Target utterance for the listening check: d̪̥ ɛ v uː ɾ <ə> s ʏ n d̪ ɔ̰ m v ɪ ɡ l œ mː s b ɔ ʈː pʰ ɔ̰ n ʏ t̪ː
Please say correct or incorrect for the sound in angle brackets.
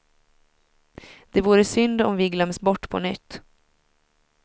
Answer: correct